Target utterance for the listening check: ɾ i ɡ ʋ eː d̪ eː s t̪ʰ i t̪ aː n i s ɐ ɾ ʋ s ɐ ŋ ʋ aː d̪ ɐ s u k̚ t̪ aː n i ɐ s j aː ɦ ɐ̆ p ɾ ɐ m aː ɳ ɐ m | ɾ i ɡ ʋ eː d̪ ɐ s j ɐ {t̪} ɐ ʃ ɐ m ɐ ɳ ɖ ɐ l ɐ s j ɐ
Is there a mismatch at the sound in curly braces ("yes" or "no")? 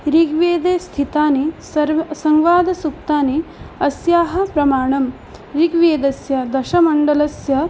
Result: yes